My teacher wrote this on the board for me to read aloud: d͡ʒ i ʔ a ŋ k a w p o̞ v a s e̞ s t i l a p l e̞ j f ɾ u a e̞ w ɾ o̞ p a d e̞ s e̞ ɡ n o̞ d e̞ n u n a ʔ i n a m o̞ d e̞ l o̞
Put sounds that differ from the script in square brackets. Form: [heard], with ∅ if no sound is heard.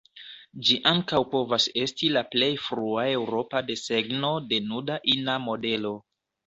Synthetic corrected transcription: d͡ʒ i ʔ a ŋ k a w p o̞ v a s e̞ s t i l a p l e̞ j f ɾ u a e̞ w ɾ o̞ p a d e̞ s e̞ ɡ n o̞ d e̞ n u [d] a ʔ i n a m o̞ d e̞ l o̞